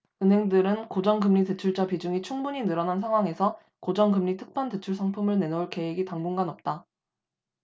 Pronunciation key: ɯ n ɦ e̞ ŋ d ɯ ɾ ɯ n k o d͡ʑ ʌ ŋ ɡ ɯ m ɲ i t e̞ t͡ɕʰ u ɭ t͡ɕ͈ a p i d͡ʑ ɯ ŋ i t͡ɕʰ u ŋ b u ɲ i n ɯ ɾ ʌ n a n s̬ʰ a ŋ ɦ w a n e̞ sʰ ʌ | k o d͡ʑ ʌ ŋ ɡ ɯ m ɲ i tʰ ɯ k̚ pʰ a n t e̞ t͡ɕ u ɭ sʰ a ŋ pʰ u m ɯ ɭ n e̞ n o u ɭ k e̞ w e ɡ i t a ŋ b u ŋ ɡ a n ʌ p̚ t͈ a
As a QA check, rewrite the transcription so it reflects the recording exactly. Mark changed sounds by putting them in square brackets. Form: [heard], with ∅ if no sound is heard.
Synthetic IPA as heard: ɯ n ɦ e̞ ŋ d ɯ ɾ ɯ n k o d͡ʑ ʌ ŋ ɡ ɯ m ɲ i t e̞ t͡ɕʰ u ɭ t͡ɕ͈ a p i d͡ʑ [u] ŋ i t͡ɕʰ u ŋ b u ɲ i n ɯ ɾ ʌ n a n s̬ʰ a ŋ ɦ w a [ŋ] e̞ sʰ ʌ | k o d͡ʑ ʌ ŋ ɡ ɯ m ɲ i tʰ ɯ k̚ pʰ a n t e̞ [t͡ɕʰ] u ɭ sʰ a ŋ pʰ u m ɯ ɭ n e̞ n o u ɭ k e̞ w e ɡ i t a ŋ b u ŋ ɡ a n ʌ p̚ t͈ a